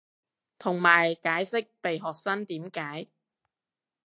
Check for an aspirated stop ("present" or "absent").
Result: present